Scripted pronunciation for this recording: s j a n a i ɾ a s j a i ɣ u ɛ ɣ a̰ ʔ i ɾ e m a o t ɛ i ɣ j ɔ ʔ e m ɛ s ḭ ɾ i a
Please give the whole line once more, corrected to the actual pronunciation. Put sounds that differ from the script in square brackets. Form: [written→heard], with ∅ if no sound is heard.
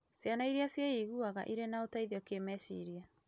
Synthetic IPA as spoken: s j a n a i ɾ a s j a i ɣ u [ɛ→a] ɣ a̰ ʔ i ɾ e [m→n] a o t [ɛ→a] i [ɣ→ð] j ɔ [ʔ→k] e m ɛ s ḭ ɾ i a